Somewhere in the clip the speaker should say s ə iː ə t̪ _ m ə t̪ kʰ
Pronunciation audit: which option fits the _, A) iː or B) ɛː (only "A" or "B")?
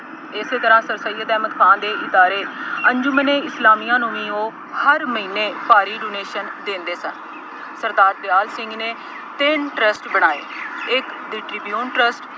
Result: B